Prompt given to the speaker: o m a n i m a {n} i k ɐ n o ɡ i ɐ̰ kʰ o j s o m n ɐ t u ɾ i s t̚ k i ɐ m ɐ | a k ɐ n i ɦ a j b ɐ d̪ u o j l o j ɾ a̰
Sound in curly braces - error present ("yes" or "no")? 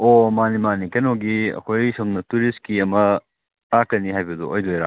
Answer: no